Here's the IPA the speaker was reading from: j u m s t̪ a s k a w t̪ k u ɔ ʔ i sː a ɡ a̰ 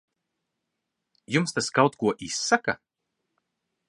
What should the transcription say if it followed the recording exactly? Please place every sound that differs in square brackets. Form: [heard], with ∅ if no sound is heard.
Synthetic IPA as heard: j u m s t̪ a s k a w t̪ k u ɔ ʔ i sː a [k] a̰